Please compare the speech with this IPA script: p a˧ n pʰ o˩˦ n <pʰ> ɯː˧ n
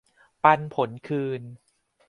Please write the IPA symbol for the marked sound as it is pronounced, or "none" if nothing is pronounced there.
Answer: kʰ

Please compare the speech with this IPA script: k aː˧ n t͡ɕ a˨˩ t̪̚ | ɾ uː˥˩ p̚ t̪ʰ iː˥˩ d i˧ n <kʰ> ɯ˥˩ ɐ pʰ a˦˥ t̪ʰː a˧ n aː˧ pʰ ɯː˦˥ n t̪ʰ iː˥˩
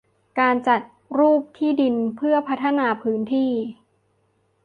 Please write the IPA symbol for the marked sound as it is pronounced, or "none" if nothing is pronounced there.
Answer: pʰ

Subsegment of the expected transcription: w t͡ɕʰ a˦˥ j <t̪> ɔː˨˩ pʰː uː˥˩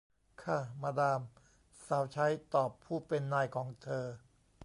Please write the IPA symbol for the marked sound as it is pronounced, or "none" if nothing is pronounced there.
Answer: t̪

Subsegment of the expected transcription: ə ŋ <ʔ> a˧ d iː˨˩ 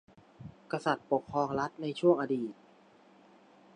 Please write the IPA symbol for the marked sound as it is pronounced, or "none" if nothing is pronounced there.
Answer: ʔ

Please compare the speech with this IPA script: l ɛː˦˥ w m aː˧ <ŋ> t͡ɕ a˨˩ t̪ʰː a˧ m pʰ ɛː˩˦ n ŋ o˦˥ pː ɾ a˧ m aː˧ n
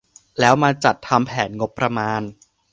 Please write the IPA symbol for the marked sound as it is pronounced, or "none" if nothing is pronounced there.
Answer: none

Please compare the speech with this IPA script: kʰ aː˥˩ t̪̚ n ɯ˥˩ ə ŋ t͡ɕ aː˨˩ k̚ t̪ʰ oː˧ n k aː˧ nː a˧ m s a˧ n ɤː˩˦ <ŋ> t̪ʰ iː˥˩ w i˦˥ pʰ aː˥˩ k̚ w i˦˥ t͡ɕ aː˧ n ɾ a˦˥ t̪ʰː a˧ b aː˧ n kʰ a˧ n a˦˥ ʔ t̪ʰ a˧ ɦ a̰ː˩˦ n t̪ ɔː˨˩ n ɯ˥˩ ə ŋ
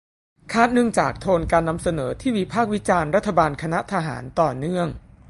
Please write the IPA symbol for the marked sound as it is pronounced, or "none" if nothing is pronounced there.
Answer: none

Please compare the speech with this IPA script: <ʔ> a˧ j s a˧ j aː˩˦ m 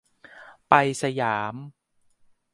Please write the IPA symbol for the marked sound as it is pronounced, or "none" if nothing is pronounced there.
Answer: p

